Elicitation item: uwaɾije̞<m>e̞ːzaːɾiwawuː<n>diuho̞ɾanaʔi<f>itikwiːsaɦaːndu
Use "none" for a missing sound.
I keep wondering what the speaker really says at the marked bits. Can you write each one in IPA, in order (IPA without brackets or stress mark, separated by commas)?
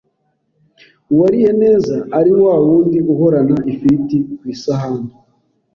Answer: n, n, f